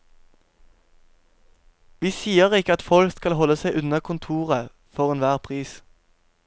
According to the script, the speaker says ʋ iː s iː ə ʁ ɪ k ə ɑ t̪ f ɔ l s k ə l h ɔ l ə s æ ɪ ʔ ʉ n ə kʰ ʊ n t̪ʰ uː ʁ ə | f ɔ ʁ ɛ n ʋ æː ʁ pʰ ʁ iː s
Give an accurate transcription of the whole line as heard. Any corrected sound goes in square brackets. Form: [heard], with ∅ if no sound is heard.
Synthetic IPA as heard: ʋ iː s iː ə ʁ ɪ k ə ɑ t̪ f ɔ l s k [ɑ] l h ɔ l ə s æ ɪ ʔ ʉ n ə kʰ ʊ n t̪ʰ uː ʁ ə | f ɔ ʁ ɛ n ʋ æː ʁ pʰ ʁ iː s